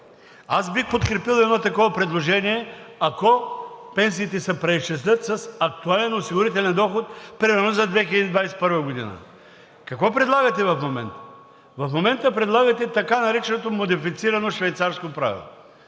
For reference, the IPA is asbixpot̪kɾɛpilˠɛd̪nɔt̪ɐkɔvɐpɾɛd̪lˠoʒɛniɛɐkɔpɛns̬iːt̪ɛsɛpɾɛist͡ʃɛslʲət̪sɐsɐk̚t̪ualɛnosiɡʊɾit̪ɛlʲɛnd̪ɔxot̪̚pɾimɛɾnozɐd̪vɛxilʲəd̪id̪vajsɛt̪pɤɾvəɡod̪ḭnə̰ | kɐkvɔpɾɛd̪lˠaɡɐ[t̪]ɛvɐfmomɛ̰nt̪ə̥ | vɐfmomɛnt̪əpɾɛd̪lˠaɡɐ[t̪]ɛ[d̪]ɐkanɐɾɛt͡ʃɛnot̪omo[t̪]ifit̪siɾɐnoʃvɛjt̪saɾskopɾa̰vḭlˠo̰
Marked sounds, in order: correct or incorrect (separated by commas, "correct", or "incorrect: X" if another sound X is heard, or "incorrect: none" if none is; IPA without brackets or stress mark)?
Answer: correct, correct, incorrect: t̪, incorrect: d̪